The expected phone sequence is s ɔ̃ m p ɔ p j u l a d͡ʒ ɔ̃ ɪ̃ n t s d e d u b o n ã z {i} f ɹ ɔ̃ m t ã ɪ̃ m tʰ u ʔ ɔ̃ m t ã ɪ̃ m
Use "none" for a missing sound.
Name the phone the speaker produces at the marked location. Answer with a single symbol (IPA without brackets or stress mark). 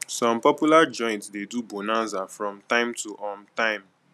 a